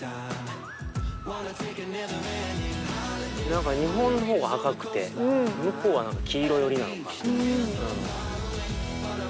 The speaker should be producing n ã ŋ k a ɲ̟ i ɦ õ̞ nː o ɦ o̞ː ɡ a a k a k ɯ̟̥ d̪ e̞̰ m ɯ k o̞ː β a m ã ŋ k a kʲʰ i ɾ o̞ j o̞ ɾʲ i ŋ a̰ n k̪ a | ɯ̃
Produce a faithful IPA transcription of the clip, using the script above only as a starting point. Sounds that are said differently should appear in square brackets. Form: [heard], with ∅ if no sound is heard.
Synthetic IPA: n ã ŋ k a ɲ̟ i ɦ õ̞ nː o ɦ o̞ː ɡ a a k a k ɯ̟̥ [t̪] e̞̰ m ɯ k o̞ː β a [n] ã ŋ k a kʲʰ [iː] ɾ o̞ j o̞ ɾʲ i [n] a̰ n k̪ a | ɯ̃